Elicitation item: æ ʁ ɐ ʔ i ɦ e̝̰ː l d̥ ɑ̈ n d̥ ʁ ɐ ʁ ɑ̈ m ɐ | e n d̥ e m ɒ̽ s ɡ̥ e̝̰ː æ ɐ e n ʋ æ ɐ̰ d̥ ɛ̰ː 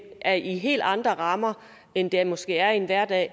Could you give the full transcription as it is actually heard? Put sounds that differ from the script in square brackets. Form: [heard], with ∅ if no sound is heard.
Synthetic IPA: æ [∅] ɐ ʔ i ɦ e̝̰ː l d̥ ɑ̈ n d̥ ʁ ɐ ʁ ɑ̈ m ɐ | e n d̥ e m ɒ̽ s ɡ̥ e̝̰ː æ ɐ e n ʋ æ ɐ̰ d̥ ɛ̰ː